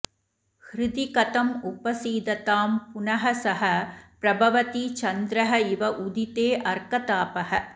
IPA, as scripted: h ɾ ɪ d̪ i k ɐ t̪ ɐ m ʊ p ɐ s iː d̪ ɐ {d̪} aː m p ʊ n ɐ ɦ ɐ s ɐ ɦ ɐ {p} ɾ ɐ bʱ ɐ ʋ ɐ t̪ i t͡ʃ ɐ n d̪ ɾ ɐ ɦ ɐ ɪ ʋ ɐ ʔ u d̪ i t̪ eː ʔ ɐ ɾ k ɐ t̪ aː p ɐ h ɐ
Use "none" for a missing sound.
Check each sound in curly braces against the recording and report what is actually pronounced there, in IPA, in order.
t̪, p

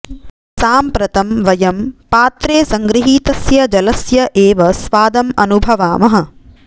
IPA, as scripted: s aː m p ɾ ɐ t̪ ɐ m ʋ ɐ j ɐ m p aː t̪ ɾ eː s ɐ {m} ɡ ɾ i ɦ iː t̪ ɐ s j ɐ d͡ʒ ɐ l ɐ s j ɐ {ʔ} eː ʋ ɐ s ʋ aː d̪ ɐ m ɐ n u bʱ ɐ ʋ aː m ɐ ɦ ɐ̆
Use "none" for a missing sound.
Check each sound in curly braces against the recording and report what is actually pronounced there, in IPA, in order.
ŋ, ʔ

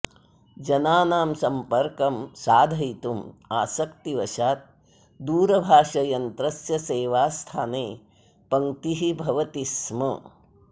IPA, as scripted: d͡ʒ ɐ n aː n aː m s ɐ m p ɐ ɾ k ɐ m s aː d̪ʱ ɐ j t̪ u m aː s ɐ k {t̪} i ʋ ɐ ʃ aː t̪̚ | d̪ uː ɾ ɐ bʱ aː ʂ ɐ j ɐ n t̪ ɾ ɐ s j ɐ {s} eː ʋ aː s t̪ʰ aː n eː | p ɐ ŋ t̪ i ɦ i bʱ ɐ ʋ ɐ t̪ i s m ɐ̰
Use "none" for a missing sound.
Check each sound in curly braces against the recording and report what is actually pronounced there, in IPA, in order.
t̪, s

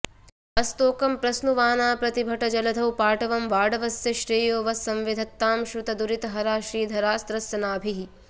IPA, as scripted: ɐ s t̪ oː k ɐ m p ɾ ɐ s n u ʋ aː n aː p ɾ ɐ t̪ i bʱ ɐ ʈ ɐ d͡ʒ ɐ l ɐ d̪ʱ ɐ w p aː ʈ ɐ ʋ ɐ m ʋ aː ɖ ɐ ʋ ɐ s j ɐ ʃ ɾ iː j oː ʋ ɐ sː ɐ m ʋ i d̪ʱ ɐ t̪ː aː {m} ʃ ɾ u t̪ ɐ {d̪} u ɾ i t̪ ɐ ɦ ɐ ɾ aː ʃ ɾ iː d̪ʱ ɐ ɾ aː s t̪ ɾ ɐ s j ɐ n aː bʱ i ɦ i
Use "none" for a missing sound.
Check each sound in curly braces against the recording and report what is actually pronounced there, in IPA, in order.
m, d̪

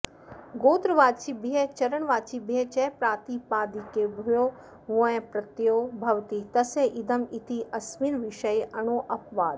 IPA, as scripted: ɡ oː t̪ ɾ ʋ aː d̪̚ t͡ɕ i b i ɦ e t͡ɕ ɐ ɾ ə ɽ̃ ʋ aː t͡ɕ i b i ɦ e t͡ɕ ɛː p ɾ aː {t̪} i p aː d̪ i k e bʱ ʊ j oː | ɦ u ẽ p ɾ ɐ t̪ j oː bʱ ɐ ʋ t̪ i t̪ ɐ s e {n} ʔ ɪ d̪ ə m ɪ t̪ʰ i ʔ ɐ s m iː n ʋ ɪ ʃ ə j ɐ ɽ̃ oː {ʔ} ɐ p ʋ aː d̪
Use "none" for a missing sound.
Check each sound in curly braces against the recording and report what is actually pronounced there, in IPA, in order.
t̪, none, ʔ

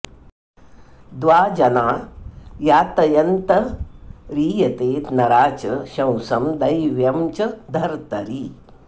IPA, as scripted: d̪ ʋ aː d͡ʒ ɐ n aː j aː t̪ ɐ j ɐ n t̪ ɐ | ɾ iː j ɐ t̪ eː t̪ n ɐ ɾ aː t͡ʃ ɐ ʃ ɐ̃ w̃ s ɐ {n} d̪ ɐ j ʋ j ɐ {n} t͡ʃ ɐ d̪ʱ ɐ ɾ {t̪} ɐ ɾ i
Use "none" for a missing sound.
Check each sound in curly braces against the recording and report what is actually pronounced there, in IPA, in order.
m, m, t̪

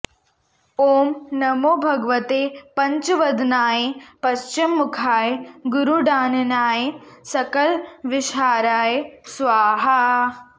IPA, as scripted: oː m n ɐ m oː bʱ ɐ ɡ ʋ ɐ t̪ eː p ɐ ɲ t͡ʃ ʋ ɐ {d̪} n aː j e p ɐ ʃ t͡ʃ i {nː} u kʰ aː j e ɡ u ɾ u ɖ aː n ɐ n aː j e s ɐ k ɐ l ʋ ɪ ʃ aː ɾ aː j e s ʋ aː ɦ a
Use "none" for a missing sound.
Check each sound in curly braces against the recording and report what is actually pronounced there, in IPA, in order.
d̪, mː

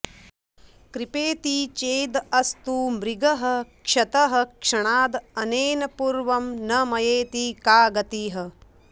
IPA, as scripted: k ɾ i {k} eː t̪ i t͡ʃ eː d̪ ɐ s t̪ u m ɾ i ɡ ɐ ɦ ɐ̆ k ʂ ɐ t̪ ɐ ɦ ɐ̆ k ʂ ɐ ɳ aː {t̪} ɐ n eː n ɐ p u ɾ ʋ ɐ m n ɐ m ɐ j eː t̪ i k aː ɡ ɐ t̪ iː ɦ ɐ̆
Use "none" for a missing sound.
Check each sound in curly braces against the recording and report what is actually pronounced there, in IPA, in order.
p, d̪

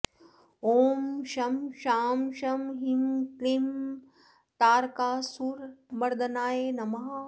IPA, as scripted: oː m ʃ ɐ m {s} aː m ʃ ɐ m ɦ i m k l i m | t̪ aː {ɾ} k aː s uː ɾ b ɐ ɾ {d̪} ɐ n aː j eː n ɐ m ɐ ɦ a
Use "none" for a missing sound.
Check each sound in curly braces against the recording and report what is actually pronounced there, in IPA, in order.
ʃ, ɾ, d̪

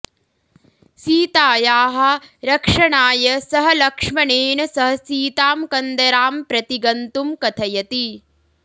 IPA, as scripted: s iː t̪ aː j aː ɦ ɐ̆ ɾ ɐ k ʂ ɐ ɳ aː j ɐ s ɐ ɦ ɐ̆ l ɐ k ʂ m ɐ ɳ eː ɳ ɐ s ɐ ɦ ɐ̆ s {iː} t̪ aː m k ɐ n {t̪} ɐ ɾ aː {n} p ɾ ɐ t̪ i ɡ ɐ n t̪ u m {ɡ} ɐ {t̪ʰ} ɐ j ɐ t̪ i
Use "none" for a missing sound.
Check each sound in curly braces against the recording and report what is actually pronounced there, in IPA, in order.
iː, d̪, m, k, t̪ʰ

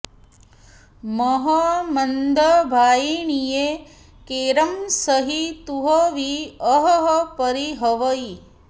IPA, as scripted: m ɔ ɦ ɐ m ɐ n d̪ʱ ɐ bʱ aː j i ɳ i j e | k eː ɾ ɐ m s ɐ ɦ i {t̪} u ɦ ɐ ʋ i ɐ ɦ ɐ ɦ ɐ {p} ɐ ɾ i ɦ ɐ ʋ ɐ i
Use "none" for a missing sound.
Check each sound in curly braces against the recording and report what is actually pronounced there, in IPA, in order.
t̪, p

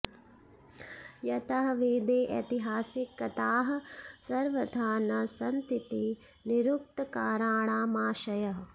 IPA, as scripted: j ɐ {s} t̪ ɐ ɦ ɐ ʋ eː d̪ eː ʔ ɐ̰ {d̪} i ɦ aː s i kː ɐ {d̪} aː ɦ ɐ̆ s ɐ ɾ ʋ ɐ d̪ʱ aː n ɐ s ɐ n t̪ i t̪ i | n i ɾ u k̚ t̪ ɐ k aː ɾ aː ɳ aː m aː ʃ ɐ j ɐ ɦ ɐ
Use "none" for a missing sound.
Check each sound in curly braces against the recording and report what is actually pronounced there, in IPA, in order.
none, t̪, t̪

